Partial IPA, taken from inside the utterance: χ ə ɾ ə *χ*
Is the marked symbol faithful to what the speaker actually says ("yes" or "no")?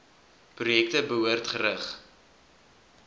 yes